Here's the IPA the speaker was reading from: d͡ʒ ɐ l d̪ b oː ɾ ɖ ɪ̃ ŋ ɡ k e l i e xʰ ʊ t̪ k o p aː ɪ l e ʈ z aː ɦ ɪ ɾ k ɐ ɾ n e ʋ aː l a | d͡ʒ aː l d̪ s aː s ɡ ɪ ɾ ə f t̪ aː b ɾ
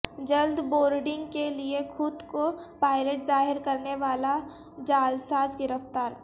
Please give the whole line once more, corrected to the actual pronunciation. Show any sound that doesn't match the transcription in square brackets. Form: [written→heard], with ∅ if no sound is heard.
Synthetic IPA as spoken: d͡ʒ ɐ l d̪ b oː ɾ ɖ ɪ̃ ŋ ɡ k e l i e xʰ ʊ [t̪→d̪] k o p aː ɪ l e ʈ z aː ɦ ɪ ɾ k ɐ ɾ n e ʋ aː l a | d͡ʒ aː l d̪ s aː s ɡ ɪ ɾ ə f t̪ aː [b→∅] ɾ